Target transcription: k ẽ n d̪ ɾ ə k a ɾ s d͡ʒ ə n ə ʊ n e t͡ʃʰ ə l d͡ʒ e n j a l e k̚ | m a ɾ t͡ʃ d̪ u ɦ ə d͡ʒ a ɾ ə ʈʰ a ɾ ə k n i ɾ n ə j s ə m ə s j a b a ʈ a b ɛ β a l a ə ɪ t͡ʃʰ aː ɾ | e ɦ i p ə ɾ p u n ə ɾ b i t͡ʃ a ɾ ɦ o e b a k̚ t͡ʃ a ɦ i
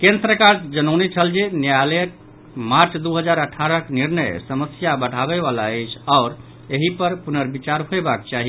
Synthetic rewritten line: k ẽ n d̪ ɾ ə k a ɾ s d͡ʒ ə n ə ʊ n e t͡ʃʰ ə l d͡ʒ e n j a l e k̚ | m a ɾ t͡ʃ d̪ u ɦ ə d͡ʒ a ɾ ə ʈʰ a ɾ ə k n i ɾ n ə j s ə m ə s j a b ə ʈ a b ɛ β a l a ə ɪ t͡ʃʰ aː ɾ | e ɦ i p ə ɾ p u n ə ɾ b i t͡ʃ a ɾ ɦ o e b a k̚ t͡ʃ a ɦ i